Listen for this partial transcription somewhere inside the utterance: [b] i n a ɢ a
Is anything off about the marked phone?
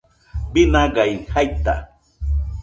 no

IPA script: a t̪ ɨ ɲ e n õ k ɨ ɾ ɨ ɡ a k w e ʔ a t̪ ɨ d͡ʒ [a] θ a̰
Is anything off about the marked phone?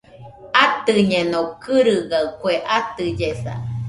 yes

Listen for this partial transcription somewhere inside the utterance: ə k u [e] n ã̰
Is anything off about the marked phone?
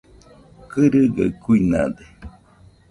yes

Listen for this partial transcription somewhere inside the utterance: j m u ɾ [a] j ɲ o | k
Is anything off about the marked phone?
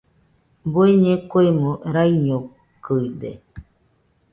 no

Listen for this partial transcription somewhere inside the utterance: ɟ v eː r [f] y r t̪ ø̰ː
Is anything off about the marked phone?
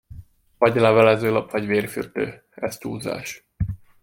no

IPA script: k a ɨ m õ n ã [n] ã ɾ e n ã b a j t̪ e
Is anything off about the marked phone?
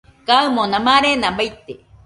yes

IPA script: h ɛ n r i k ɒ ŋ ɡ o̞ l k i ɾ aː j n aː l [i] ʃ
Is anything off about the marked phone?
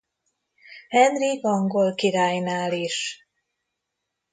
no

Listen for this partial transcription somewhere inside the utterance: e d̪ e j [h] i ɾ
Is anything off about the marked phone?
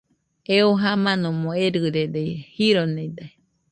no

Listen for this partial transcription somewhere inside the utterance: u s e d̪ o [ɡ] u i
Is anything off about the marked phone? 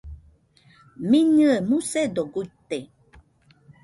no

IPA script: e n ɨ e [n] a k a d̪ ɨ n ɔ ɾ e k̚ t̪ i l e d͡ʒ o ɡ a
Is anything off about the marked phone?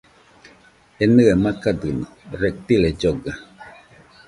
yes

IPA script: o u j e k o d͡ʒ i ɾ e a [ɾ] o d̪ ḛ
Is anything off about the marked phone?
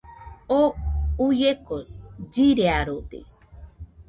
no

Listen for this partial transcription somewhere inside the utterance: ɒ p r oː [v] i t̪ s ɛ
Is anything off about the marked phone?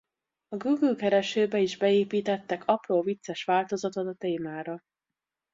no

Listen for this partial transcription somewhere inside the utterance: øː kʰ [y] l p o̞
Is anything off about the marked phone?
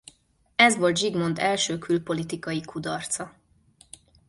no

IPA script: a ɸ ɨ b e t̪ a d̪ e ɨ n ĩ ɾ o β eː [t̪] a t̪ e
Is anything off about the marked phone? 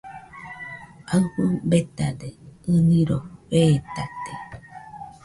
no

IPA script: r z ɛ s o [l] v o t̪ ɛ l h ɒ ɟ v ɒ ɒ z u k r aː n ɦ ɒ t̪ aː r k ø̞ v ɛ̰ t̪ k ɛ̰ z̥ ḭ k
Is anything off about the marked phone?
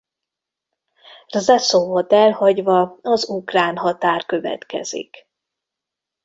yes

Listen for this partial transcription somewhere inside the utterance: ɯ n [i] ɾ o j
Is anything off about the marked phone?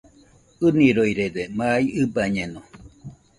no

